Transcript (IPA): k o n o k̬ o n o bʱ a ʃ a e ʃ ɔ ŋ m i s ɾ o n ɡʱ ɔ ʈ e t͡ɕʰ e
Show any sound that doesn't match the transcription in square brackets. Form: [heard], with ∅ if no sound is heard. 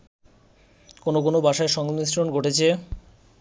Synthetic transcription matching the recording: k o n o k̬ o n o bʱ a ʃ a e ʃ ɔ ŋ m i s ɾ o n ɡʱ [o] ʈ e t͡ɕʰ e